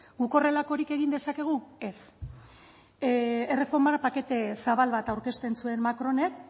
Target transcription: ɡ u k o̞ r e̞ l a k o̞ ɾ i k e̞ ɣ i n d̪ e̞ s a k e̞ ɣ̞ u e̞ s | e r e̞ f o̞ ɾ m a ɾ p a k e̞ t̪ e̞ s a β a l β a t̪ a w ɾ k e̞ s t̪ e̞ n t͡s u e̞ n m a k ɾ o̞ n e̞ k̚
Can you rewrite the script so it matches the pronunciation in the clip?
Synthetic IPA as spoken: ɡ u k o̞ r e̞ l a k o̞ ɾ i k e̞ ɣ i n d̪ e̞ s a k e̞ ɣ̞ u e̞ s | e r e̞ f o̞ ɾ m a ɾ p a k e̞ t̪ e̞ s a β a l β a t̪ a w ɾ k e̞ s t̪ e̞ n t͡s u e̞ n m a k ɾ o̞ n e̞ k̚